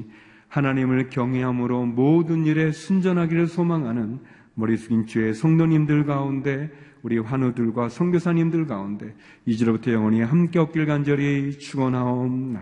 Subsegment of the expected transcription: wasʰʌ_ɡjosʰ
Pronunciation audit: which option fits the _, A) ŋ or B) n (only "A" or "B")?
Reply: A